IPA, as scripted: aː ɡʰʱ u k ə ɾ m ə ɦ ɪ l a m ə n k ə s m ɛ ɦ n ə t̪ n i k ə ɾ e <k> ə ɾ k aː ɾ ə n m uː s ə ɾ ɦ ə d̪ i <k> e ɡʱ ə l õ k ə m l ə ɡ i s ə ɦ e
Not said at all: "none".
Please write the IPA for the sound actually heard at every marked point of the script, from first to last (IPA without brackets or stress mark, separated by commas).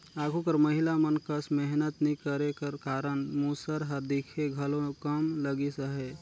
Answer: k, kʰ